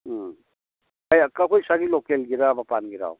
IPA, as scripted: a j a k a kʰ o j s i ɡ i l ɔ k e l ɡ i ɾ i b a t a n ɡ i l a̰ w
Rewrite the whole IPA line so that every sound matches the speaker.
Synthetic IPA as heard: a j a k a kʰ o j s a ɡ i l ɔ k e l ɡ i ɾ a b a p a n ɡ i ɾ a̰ w